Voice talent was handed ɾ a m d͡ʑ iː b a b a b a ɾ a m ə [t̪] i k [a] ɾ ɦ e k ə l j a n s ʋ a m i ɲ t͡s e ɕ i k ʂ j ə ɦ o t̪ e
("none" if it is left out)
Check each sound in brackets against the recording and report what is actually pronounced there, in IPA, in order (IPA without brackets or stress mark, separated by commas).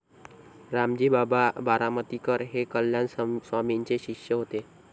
t̪, ə